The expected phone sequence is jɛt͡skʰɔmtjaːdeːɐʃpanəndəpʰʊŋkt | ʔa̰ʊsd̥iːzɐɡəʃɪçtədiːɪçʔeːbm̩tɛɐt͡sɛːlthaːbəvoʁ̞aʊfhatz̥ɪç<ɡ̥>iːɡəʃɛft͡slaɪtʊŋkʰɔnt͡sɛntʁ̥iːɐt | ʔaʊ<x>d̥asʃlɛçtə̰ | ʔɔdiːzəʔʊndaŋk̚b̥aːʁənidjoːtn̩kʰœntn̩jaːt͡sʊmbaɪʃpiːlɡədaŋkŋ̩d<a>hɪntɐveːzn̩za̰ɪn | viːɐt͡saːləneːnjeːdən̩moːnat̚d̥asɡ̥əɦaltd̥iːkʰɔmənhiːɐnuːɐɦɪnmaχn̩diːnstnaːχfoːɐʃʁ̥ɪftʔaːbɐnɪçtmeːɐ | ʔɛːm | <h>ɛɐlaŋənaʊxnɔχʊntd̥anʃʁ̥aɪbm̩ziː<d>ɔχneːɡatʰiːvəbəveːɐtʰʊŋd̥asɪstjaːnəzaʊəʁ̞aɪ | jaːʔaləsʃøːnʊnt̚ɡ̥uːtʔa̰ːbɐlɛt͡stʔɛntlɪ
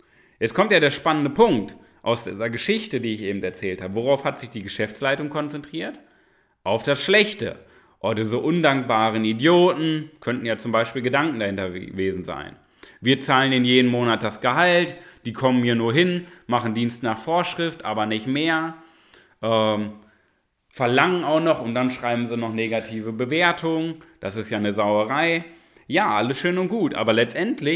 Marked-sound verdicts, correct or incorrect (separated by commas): incorrect, incorrect, correct, incorrect, incorrect